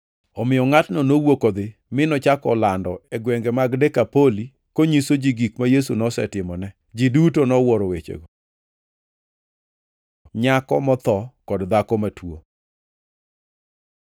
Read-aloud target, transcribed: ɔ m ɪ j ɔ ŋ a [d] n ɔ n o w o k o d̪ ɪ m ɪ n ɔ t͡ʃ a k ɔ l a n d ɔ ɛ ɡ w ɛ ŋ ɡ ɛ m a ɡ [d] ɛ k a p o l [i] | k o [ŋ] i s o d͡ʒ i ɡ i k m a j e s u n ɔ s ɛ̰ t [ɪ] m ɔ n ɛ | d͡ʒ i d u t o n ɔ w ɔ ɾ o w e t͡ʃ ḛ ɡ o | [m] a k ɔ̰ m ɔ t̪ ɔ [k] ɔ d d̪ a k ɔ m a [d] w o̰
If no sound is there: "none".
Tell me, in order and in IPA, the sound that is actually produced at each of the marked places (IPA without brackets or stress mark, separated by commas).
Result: t, d, i, ɲ, ɪ, ɲ, k, t